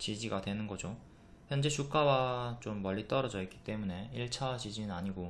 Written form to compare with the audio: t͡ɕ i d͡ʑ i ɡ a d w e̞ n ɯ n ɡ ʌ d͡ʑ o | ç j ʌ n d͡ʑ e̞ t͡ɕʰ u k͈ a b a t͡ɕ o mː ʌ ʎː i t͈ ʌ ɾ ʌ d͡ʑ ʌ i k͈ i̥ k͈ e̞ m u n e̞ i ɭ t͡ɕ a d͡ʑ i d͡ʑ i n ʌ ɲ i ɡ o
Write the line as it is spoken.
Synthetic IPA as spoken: t͡ɕ i d͡ʑ i ɡ a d w e̞ n ɯ n ɡ ʌ d͡ʑ o | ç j ʌ n d͡ʑ e̞ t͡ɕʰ u k͈ a w a t͡ɕ o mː ʌ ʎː i t͈ ʌ ɾ ʌ d͡ʑ ʌ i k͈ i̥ t͈ e̞ m u n e̞ i ɭ t͡ɕʰ a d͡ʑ i d͡ʑ i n a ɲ i ɡ o